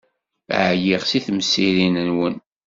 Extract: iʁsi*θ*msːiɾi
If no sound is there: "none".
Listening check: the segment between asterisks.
θ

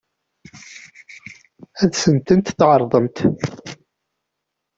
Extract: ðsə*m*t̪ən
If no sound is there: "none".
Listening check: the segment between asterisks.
n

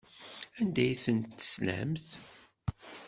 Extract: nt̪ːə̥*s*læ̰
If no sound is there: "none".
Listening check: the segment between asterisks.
s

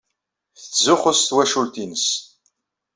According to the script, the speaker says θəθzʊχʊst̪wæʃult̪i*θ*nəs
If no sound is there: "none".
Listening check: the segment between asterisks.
none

